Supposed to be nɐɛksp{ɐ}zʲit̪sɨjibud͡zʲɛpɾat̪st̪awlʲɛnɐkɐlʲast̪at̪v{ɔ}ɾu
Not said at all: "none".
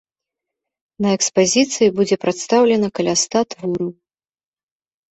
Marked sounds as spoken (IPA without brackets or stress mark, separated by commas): a, u